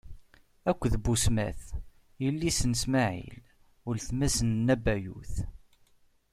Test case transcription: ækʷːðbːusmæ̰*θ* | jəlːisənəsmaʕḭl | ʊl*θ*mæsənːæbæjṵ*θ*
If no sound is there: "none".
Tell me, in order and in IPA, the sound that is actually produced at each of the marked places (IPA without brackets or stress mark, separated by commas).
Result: θ, θ, θ